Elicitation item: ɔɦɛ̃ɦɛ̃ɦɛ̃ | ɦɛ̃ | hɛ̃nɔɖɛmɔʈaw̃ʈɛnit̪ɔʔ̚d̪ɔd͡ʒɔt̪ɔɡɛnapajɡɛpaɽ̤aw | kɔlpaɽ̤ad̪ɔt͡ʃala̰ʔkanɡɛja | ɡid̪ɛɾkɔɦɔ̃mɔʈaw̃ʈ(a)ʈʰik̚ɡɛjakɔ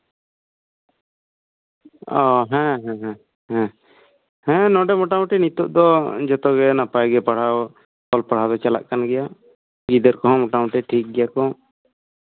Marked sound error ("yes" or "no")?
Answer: yes